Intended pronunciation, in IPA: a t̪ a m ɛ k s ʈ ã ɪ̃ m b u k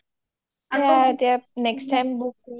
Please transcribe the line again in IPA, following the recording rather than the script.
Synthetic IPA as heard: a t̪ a n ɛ k s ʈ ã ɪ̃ m b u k